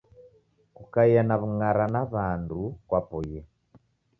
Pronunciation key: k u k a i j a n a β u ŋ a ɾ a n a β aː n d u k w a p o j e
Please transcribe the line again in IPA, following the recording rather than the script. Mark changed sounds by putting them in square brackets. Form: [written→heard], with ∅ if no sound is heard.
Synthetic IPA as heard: k u k a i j a n a β u ŋ a ɾ a n a β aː n d u k w a p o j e

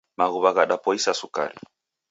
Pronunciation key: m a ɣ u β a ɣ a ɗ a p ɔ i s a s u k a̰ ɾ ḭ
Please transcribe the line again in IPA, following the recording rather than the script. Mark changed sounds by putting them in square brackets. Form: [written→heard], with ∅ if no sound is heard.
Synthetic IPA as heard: m a ɣ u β a ɣ a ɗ a p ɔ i s a s u k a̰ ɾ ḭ

